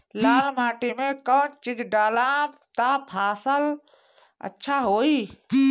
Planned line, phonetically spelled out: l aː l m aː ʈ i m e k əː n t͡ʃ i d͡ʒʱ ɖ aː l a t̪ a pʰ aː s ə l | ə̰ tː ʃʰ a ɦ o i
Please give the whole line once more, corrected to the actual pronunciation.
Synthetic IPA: l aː l m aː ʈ i m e k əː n t͡ʃ i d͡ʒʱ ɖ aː l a t̪ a pʰ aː s ə l | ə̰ tː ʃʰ a ɦ o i